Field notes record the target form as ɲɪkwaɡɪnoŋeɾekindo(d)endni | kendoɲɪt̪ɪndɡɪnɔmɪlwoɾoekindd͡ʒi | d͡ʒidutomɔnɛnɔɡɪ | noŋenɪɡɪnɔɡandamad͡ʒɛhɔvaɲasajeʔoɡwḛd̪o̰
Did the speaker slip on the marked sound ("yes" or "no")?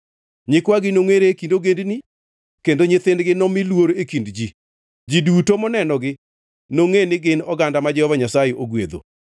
yes